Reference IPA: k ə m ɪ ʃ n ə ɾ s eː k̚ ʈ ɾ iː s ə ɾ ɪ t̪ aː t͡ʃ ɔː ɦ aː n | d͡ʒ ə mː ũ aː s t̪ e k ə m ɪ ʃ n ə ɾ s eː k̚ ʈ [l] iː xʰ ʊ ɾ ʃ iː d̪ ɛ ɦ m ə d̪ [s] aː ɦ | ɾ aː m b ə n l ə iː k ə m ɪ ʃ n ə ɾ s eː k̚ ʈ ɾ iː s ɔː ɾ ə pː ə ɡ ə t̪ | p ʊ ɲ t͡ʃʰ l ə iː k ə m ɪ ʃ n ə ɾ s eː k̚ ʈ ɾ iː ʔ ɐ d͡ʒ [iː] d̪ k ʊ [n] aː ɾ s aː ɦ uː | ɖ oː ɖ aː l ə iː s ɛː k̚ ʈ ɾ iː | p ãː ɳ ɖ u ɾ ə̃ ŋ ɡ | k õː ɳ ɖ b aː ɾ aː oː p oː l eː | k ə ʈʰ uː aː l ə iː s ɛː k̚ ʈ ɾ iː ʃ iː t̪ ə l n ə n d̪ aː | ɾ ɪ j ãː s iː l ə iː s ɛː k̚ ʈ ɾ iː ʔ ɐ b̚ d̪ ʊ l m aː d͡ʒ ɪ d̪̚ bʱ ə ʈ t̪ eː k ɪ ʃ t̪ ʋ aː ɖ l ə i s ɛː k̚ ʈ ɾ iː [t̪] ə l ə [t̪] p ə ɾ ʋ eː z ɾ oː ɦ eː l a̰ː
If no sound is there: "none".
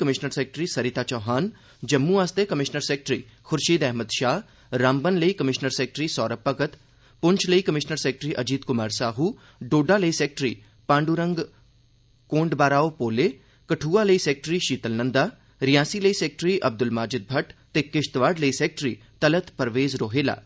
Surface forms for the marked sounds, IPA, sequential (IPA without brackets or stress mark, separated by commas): ɾ, ʃ, iː, m, t̪, t̪